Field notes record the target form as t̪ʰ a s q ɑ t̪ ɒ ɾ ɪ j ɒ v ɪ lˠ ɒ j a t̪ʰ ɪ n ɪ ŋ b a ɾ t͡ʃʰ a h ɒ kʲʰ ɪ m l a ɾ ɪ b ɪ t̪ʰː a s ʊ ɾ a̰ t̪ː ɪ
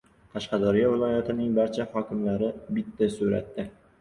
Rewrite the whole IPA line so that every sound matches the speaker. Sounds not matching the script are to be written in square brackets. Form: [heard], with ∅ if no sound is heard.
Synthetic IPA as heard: t̪ʰ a [ʃ] q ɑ [d̪] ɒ ɾ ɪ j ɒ v ɪ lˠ ɒ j a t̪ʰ ɪ n ɪ ŋ b a ɾ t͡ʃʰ a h ɒ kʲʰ ɪ m l a ɾ ɪ b ɪ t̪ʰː a s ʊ ɾ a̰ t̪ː ɪ